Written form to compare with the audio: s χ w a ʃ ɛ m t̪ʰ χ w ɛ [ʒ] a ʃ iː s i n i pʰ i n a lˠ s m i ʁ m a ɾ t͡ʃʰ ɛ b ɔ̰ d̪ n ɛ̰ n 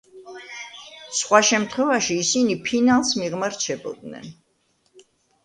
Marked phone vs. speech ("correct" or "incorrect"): incorrect